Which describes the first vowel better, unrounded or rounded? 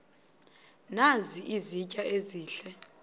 unrounded